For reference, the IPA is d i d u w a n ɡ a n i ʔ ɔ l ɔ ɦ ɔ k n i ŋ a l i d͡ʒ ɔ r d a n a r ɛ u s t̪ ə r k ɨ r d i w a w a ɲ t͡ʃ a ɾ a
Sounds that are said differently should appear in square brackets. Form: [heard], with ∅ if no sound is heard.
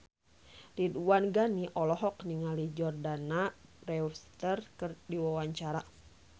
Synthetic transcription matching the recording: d i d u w a n ɡ a n i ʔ ɔ l ɔ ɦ ɔ k n i ŋ a l i d͡ʒ ɔ r d a n a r ɛ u s t̪ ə r k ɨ r d i w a w a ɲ t͡ʃ a ɾ a